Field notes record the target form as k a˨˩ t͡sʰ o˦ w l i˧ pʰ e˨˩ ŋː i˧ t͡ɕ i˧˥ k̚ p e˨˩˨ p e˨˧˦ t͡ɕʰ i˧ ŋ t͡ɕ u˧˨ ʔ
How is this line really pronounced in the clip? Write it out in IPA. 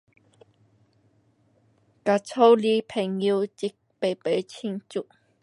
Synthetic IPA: k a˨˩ t͡sʰ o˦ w l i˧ pʰ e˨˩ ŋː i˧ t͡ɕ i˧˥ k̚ p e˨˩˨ p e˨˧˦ t͡ɕʰ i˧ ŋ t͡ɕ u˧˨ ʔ